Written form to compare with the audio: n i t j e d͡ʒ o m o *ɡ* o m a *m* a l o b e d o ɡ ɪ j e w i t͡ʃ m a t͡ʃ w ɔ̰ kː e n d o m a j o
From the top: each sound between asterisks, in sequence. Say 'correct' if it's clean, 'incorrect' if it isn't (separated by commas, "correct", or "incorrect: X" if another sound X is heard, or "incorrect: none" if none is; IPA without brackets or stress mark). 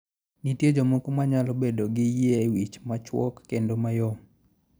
incorrect: k, incorrect: ɲ